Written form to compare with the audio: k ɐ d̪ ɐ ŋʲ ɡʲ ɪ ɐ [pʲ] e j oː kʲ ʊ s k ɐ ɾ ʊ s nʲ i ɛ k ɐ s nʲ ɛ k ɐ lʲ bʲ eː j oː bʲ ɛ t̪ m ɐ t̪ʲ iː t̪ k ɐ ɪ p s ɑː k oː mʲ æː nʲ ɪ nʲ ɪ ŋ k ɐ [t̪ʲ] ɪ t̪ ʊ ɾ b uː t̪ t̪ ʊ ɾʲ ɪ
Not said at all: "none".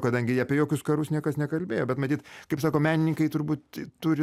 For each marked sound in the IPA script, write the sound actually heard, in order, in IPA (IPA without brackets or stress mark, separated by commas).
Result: pʲ, none